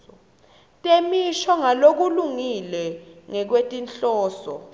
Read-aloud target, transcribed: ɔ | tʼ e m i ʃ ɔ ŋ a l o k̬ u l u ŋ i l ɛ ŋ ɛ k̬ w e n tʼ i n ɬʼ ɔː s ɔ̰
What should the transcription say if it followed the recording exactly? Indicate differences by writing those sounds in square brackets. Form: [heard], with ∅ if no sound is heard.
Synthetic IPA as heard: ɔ | tʼ e m i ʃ ɔ ŋ a l o k̬ u l u ŋ i l ɛ ŋ ɛ k̬ w e [∅] tʼ i n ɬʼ ɔː s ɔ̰